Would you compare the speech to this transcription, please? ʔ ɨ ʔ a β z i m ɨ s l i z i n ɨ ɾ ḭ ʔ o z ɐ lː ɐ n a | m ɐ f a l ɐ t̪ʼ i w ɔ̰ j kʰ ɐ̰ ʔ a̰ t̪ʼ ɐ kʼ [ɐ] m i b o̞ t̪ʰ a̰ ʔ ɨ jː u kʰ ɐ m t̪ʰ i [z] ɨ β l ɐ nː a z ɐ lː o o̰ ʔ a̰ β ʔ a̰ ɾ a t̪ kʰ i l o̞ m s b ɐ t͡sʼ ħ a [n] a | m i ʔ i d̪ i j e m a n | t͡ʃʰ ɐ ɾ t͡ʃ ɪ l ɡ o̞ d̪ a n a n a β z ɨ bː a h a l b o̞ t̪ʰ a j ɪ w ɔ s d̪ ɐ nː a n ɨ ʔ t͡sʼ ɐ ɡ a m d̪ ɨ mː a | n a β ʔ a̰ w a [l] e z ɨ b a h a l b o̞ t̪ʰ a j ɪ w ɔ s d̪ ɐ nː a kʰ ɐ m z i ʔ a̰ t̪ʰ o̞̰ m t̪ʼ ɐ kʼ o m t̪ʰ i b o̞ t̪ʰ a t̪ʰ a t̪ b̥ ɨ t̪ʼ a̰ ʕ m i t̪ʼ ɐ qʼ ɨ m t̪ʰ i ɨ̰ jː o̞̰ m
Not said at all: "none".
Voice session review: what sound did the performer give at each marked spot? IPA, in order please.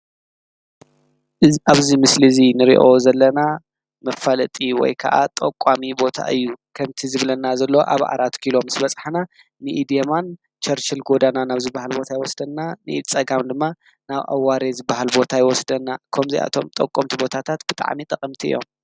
a, z, n, ɾ

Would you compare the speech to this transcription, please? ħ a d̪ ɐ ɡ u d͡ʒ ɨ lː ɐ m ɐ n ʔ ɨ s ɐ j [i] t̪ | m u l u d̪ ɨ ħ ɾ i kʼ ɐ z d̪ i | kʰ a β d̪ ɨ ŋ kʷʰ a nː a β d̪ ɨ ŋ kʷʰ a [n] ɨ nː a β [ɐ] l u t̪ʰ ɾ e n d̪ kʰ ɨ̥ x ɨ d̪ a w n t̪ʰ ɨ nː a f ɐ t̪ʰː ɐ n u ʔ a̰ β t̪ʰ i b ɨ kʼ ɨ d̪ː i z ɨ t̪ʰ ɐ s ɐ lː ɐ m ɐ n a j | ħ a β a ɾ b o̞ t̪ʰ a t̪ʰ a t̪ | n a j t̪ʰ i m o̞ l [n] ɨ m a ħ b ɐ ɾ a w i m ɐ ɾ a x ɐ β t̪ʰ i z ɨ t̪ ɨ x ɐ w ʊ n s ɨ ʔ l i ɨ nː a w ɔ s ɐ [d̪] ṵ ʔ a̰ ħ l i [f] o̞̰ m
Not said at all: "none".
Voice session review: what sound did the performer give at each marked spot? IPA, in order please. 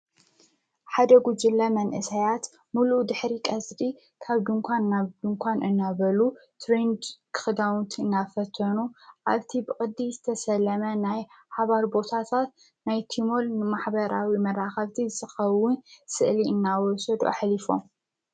a, n, ɐ, n, d̪, f

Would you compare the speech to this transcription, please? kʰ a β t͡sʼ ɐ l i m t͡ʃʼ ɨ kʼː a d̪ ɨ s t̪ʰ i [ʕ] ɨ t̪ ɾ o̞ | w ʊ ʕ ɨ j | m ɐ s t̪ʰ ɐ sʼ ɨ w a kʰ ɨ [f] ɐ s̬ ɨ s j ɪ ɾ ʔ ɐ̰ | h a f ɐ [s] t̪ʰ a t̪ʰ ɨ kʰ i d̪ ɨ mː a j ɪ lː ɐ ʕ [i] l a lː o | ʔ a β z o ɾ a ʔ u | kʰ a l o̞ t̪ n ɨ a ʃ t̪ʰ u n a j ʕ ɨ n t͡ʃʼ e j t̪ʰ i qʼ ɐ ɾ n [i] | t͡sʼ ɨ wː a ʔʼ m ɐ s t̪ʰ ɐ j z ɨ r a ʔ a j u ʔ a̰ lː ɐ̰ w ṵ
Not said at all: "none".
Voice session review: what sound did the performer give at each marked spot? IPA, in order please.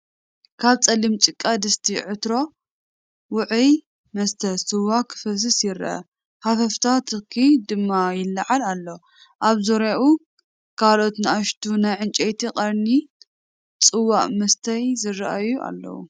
ʕ, f, f, a, i

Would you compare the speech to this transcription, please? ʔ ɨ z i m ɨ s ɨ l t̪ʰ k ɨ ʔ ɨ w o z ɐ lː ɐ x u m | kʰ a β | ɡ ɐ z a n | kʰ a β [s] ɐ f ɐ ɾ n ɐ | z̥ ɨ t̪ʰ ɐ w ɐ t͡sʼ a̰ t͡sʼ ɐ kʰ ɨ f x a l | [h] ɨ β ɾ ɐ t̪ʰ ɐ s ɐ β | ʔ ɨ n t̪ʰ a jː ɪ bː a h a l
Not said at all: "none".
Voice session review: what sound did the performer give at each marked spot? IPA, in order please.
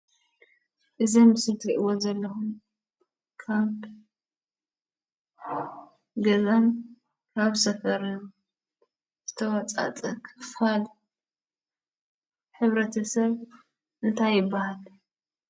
s, ħ

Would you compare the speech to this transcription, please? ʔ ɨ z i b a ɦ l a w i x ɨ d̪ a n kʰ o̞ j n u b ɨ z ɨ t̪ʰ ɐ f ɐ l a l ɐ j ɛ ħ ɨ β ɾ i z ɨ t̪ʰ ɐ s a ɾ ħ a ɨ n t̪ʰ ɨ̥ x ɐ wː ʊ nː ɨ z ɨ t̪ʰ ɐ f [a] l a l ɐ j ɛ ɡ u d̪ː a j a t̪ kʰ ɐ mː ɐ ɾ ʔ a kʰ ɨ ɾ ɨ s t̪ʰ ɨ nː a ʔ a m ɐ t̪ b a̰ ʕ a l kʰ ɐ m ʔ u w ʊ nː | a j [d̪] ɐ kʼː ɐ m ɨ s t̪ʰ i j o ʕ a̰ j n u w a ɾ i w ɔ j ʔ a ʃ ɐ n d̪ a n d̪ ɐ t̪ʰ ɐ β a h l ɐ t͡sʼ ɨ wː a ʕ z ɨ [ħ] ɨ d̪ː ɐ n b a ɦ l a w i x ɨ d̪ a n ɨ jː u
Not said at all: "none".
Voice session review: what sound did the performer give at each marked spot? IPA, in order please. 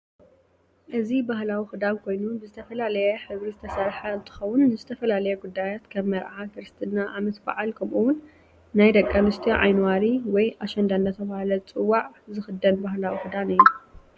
ɐ, d̪, x

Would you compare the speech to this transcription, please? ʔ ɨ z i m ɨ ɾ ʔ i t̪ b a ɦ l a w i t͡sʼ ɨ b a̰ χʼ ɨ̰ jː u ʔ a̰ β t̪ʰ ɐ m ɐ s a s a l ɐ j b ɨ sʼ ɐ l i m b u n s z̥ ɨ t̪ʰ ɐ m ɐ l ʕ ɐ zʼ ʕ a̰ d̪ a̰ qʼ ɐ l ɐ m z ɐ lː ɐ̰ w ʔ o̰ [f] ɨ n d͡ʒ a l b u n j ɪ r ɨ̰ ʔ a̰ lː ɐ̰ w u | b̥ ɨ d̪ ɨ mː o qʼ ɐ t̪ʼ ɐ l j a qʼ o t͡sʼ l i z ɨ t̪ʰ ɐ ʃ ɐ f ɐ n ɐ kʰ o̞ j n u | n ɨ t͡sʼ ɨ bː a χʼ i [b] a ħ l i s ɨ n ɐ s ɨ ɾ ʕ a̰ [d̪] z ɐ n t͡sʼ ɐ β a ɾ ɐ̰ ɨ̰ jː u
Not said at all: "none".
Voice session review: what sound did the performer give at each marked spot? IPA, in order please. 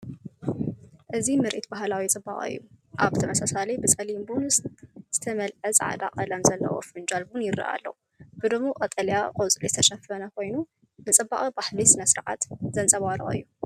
f, b, t̪

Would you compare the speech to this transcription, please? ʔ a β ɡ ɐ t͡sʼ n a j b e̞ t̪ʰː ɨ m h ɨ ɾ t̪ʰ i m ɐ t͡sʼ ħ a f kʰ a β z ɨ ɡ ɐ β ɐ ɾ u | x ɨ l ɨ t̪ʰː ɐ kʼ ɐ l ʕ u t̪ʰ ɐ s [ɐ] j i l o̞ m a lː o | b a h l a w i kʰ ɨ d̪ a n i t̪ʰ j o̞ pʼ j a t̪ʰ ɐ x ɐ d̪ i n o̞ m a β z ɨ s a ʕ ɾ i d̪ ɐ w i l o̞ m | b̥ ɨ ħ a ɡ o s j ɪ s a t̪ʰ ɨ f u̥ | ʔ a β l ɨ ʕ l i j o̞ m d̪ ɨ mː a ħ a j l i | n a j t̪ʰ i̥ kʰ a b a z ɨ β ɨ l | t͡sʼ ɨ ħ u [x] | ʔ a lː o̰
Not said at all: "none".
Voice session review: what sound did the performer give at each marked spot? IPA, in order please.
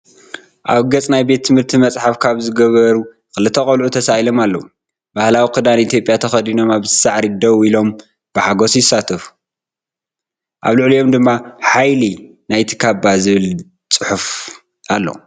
a, f

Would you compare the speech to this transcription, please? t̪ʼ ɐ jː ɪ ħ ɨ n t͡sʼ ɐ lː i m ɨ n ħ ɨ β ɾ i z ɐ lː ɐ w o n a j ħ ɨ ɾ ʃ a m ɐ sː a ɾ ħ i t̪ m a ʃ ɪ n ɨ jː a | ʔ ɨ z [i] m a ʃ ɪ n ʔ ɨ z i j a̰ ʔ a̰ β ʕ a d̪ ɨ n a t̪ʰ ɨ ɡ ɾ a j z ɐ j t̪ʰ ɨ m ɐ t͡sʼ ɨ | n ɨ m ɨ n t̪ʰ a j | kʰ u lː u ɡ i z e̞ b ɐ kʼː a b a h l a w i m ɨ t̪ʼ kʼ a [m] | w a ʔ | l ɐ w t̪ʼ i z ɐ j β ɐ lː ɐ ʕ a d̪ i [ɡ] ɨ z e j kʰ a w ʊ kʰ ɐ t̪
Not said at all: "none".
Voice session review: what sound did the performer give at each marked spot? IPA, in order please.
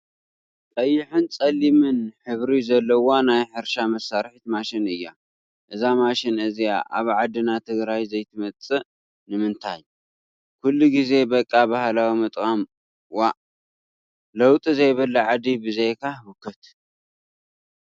a, m, b

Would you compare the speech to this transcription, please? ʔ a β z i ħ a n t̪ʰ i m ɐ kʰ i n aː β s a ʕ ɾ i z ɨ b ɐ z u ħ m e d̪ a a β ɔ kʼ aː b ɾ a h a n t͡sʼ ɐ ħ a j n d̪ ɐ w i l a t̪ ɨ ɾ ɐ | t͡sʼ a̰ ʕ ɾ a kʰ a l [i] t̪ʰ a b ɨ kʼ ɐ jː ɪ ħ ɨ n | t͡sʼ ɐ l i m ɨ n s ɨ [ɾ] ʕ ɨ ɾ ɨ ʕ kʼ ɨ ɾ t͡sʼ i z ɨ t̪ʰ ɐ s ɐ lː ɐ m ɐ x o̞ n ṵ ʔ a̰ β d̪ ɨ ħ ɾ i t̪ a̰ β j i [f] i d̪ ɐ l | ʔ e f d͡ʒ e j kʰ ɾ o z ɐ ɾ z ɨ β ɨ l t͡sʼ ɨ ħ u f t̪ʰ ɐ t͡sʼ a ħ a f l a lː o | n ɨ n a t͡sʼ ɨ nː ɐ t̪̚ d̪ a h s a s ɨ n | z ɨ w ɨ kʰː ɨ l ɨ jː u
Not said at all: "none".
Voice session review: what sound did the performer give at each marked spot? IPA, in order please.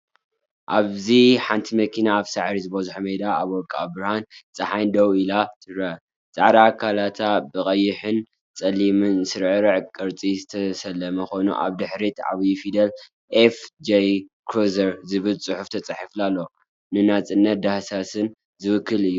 a, ɾ, f

